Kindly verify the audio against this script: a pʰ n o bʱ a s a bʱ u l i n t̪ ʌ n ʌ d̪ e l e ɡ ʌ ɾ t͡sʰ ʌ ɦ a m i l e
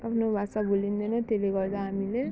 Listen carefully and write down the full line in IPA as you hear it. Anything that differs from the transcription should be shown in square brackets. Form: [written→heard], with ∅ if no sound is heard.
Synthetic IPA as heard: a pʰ n o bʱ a s a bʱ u l i n [t̪→d̪] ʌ n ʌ [d̪→t̪] e l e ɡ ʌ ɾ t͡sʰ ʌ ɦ a m i l e